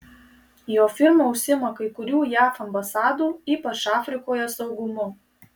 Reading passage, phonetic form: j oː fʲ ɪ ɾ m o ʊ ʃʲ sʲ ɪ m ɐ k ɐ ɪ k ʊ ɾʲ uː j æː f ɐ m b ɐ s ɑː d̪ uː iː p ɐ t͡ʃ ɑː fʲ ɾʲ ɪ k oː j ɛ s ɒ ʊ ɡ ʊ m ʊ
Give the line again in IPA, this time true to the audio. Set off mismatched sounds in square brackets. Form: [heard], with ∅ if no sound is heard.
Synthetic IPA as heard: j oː fʲ ɪ ɾ m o ʊ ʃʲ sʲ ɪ m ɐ k ɐ ɪ k ʊ ɾʲ uː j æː f ɐ m b ɐ s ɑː d̪ uː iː p ɐ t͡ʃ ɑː fʲ ɾʲ ɪ k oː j ɛ s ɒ ʊ ɡ ʊ m ʊ